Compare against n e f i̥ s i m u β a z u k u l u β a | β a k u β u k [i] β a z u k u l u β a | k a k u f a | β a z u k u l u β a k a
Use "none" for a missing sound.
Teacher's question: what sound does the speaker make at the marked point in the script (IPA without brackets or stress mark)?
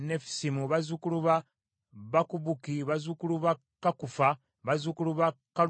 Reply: i